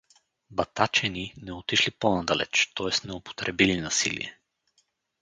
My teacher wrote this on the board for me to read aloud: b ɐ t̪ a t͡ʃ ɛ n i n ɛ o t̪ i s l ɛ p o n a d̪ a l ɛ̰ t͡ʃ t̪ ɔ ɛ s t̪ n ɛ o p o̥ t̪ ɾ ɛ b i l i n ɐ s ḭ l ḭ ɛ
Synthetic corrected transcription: b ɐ t̪ a t͡ʃ ɛ n i n ɛ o t̪ i ʃ l i p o n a d̪ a l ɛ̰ t͡ʃ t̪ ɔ ɛ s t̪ n ɛ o p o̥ t̪ ɾ ɛ b i l i n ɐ s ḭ l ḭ ɛ